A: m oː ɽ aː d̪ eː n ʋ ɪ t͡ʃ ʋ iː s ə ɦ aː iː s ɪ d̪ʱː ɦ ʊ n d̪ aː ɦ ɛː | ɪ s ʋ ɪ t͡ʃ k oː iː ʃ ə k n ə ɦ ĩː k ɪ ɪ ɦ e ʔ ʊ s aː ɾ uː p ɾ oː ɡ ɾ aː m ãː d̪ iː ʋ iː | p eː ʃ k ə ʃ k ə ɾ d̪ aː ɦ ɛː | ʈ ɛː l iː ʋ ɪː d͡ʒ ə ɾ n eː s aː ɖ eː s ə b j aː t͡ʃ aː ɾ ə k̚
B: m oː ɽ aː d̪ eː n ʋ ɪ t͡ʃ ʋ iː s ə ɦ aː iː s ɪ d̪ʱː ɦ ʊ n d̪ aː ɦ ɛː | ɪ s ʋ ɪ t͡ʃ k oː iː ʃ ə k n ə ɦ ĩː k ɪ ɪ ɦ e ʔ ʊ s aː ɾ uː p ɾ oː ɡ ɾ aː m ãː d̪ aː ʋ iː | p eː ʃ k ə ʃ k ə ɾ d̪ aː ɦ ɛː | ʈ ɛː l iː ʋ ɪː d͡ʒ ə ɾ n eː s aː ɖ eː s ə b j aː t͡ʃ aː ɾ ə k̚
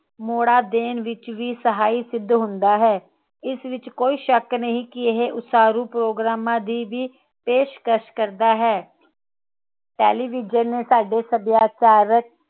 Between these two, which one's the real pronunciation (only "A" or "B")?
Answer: A